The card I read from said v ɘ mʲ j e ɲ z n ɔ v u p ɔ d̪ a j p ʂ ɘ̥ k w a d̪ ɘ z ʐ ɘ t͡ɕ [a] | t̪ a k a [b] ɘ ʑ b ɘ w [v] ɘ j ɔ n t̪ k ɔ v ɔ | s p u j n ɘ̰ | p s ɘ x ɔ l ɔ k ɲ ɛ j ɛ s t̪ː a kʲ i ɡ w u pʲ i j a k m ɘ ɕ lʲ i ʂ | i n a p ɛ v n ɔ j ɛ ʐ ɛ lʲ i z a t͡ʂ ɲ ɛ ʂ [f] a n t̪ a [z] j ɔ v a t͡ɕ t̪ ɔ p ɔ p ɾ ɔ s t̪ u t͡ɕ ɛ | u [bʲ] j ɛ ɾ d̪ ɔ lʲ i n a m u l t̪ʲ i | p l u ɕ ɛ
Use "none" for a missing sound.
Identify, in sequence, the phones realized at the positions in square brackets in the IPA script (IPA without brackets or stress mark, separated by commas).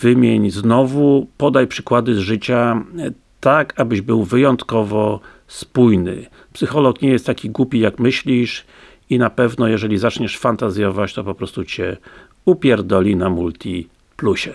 a, b, v, f, z, pʲ